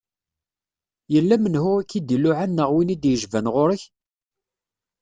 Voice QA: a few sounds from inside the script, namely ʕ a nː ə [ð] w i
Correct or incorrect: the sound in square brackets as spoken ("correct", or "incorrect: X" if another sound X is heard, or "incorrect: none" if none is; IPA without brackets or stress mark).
incorrect: ʁ